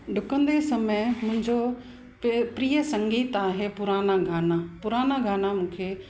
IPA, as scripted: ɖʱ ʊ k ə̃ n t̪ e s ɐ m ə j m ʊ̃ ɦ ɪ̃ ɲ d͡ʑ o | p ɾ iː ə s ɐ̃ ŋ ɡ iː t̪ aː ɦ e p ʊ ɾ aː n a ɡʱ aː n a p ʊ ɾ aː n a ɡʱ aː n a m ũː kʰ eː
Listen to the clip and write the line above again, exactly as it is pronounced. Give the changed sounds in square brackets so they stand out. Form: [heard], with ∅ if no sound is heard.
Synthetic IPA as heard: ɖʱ ʊ k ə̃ n [d̪] e s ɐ m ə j m ʊ̃ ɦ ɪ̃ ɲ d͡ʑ o | p ɾ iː ə s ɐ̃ ŋ ɡ iː t̪ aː ɦ e p ʊ ɾ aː n a ɡʱ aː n a p ʊ ɾ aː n a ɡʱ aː n a m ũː kʰ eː